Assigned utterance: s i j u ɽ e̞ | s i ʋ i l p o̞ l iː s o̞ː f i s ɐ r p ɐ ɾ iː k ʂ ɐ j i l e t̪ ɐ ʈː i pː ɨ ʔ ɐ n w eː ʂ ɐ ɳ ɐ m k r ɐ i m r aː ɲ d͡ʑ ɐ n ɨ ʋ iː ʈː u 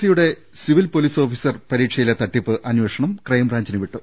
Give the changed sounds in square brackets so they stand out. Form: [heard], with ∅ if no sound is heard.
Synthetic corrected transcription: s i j u ɽ e̞ | s i ʋ i l p o̞ l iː s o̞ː f i s ɐ r p ɐ ɾ iː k ʂ ɐ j i l e t̪ ɐ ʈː i pː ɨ ʔ ɐ n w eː ʂ ɐ ɳ ɐ m k r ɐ [j] m r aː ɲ d͡ʑ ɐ n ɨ ʋ [i] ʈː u